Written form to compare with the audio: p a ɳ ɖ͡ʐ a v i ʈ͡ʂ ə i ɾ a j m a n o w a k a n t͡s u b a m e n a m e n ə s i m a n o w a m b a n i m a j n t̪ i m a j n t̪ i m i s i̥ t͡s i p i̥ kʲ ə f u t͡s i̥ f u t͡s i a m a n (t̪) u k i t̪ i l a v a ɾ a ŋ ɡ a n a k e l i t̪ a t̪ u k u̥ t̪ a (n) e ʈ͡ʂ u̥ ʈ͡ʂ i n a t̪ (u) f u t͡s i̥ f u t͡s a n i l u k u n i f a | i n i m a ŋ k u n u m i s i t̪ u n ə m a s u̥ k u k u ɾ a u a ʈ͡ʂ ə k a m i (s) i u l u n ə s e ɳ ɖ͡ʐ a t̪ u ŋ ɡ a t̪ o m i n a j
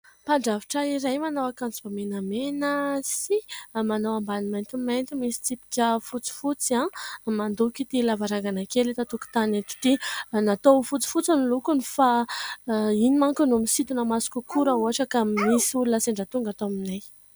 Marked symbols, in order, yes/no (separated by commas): no, yes, no, yes